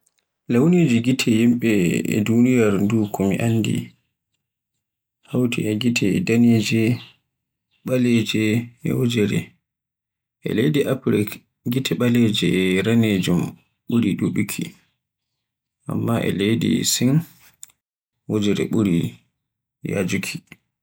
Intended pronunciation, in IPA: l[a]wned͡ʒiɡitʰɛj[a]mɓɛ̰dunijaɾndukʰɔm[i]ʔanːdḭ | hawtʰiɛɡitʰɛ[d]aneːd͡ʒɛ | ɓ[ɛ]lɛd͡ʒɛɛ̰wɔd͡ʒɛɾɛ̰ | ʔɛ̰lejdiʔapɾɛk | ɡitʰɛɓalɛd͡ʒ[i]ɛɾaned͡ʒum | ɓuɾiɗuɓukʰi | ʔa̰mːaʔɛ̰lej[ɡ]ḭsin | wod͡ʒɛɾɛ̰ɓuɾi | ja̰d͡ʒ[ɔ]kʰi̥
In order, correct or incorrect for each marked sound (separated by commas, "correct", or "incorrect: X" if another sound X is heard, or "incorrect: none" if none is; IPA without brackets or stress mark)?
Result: correct, incorrect: i, correct, correct, incorrect: a, incorrect: ɛ, incorrect: d, incorrect: u